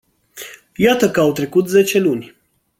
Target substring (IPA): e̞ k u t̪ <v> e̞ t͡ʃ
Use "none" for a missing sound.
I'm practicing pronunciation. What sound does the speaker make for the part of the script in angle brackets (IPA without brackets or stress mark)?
z